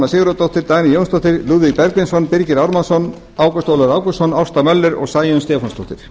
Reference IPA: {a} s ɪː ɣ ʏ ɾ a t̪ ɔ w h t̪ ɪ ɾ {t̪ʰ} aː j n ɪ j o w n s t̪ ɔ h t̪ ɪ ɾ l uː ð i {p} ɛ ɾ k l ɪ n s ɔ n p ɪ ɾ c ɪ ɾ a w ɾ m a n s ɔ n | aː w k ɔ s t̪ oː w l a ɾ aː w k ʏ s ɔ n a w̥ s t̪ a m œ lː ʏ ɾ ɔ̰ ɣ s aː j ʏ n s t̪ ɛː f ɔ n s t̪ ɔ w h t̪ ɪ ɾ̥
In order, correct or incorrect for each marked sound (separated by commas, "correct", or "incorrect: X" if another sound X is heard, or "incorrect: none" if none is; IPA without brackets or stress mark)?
correct, incorrect: t̪, correct